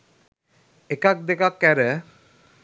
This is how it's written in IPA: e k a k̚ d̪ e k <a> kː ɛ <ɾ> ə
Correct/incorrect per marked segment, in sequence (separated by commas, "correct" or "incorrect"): correct, correct